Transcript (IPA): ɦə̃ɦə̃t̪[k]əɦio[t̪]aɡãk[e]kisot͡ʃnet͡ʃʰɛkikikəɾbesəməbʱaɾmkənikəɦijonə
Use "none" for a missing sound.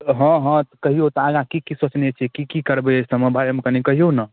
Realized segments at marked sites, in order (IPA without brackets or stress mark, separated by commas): k, t̪, i